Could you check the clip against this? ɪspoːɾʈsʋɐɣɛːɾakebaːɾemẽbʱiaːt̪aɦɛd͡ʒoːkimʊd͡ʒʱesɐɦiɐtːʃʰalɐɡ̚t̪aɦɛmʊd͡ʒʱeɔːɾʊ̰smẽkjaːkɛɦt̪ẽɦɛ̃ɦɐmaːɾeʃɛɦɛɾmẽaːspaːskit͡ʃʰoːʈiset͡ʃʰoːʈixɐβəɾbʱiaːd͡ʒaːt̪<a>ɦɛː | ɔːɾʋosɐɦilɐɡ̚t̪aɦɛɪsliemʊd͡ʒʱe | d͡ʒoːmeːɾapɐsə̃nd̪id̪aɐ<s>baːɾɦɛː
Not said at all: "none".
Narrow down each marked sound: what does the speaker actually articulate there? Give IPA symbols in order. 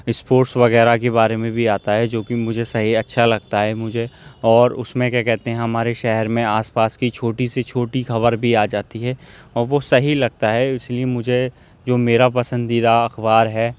i, x

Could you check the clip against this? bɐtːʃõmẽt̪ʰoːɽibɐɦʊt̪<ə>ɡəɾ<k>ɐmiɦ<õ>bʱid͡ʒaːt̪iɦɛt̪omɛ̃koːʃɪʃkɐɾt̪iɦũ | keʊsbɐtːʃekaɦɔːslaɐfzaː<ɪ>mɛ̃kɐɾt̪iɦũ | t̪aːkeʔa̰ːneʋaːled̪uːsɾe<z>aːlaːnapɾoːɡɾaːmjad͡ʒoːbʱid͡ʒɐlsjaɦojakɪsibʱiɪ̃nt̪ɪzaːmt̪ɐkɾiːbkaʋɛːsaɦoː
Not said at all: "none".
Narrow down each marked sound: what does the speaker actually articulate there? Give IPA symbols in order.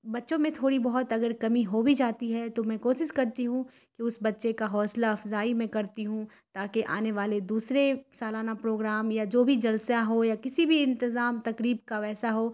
ɐ, k, o, i, s

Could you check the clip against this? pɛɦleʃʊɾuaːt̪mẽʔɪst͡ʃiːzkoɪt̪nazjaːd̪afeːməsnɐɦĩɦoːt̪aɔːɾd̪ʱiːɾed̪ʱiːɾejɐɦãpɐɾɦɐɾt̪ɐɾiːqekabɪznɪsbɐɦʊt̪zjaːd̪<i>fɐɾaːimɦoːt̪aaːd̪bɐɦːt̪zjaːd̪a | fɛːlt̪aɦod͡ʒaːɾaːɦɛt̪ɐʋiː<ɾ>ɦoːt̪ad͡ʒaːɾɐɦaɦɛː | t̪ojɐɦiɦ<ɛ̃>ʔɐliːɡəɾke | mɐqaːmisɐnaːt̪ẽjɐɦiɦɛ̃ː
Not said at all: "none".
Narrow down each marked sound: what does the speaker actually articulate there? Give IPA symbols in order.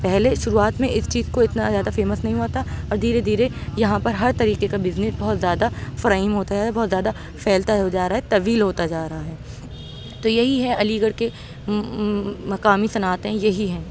a, l, ɛ

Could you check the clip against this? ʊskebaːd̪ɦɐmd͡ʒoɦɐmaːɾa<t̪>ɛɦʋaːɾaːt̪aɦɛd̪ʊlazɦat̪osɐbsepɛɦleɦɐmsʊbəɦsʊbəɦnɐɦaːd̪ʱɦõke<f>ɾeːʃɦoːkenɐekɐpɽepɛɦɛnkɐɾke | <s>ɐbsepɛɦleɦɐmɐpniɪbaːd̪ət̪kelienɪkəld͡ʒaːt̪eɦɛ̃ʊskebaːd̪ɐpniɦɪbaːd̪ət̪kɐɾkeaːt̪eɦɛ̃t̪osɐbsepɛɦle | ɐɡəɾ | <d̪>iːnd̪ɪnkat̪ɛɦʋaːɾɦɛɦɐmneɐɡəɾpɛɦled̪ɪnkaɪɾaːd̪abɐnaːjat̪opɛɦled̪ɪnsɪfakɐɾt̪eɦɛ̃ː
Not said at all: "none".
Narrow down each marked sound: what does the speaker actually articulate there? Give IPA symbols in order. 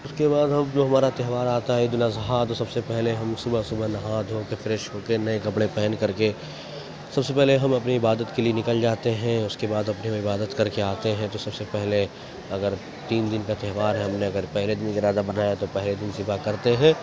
t̪, f, s, t̪

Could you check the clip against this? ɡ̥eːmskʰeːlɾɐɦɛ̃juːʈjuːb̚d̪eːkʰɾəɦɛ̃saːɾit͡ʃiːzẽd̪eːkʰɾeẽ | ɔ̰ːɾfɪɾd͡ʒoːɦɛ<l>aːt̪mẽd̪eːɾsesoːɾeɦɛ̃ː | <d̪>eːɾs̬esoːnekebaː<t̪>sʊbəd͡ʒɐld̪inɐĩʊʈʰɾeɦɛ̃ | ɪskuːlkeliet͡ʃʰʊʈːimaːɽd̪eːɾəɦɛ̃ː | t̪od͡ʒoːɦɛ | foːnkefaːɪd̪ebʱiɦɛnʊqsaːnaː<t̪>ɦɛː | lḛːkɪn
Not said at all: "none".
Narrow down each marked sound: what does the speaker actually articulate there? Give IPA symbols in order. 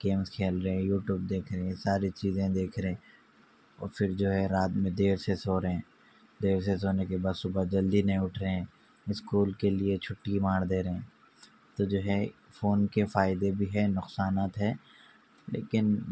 ɾ, d̪, d̪, t̪

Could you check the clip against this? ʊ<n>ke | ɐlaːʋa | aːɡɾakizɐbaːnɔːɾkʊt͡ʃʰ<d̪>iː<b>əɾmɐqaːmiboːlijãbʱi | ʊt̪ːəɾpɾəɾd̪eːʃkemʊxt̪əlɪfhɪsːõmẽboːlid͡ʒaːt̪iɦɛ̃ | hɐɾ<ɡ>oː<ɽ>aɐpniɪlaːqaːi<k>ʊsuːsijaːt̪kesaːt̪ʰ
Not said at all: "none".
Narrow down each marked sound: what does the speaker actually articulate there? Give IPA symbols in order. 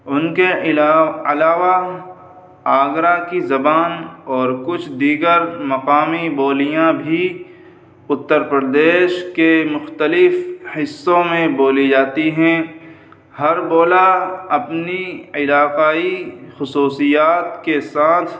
n, d̪, ɡ, b, l, x

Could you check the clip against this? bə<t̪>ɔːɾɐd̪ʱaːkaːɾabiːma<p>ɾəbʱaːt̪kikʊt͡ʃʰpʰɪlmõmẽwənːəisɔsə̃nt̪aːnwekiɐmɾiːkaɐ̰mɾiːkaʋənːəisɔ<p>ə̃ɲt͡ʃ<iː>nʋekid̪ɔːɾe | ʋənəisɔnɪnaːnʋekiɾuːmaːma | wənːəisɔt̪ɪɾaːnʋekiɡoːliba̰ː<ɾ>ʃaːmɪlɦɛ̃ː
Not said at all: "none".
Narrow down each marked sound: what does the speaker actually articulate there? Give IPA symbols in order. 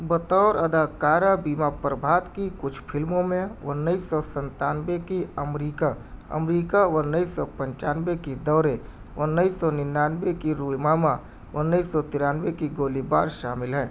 t̪, p, p, aː, ɾ

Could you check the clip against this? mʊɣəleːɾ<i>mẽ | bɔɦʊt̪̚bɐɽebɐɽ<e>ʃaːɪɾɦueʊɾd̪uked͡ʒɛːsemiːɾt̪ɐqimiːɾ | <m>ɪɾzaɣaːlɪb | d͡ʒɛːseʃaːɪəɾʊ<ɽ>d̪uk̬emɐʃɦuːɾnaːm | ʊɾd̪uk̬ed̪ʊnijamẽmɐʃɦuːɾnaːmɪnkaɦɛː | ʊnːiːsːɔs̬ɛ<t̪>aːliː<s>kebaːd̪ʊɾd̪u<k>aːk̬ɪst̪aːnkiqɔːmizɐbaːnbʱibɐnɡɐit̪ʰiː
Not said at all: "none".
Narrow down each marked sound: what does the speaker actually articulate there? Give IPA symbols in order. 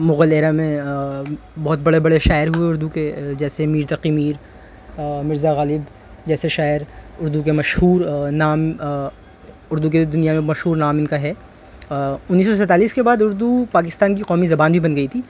a, e, m, ɾ, t̪, s, p

